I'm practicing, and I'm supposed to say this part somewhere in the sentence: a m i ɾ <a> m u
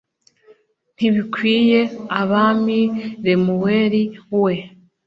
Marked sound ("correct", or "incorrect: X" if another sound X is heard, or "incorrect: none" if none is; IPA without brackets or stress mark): incorrect: e